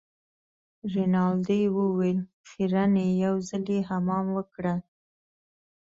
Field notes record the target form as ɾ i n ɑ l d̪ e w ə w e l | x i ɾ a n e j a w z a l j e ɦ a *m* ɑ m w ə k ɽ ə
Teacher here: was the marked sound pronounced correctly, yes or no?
yes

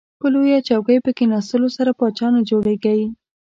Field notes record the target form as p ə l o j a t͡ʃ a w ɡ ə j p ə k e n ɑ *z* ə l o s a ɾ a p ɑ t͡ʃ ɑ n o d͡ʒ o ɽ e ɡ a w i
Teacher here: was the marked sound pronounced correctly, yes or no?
no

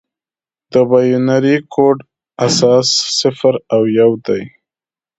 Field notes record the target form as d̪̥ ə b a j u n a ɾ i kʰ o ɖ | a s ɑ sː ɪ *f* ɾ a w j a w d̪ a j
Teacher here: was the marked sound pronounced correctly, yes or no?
yes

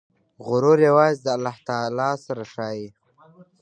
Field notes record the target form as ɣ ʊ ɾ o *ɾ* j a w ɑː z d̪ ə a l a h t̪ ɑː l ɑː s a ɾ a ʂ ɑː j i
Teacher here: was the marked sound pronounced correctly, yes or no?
yes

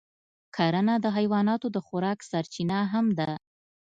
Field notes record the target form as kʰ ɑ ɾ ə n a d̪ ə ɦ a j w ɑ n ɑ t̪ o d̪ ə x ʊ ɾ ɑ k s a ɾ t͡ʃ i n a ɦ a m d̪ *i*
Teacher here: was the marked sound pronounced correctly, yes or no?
no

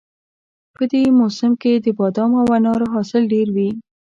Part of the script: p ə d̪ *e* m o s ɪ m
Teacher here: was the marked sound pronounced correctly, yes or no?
yes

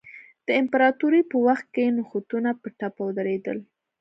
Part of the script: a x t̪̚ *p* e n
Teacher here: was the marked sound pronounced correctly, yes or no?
no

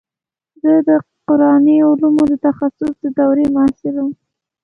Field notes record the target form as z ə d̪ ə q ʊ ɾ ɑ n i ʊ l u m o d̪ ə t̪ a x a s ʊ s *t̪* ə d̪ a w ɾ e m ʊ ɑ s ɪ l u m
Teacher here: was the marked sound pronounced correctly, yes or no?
no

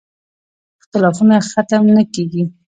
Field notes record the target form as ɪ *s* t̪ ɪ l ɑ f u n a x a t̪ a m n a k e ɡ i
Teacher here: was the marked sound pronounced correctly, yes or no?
no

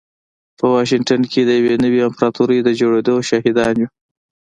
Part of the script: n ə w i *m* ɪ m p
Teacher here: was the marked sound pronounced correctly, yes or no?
no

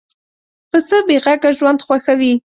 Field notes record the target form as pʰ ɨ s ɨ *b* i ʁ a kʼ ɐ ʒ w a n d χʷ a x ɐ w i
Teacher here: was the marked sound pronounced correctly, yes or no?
yes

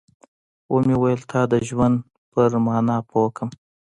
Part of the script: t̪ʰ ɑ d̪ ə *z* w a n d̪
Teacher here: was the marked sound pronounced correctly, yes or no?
no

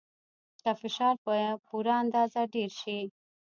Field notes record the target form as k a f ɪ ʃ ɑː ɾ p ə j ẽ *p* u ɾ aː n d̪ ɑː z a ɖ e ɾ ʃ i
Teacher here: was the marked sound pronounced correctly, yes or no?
yes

